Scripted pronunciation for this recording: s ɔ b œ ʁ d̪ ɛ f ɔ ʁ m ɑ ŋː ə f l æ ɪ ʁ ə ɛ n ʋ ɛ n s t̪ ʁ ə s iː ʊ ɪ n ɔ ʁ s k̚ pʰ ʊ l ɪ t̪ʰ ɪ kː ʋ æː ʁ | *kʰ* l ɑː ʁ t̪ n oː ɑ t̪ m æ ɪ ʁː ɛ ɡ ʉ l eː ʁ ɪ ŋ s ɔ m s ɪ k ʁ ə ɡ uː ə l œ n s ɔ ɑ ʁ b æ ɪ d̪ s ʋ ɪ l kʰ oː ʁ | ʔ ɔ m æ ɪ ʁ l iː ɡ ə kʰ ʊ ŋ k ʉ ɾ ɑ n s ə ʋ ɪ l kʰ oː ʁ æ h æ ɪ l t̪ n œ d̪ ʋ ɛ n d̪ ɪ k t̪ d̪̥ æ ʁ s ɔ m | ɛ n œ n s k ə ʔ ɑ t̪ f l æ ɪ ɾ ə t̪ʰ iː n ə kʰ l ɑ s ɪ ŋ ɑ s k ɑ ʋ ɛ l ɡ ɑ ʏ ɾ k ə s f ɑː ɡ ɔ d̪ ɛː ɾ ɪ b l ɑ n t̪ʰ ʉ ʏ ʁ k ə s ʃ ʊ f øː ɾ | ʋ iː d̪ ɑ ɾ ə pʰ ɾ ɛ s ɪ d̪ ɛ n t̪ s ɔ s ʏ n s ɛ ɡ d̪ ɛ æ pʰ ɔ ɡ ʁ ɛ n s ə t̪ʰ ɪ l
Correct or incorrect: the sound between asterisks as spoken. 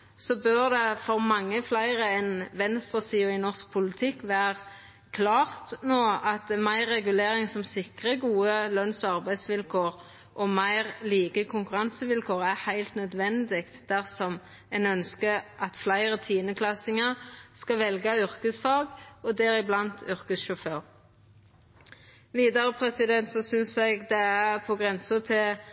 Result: correct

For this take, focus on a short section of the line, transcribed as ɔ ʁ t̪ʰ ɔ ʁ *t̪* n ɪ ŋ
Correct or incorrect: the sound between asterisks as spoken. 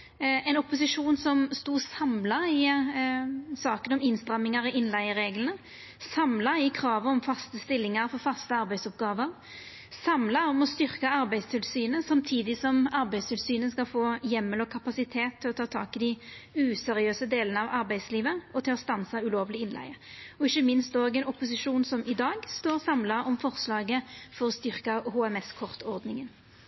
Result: incorrect: d̪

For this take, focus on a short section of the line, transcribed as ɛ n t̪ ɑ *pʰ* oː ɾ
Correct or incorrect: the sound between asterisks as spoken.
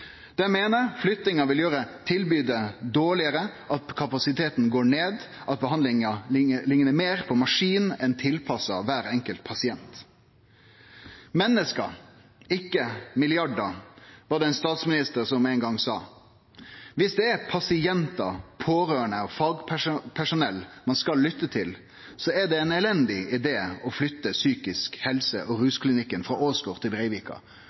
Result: correct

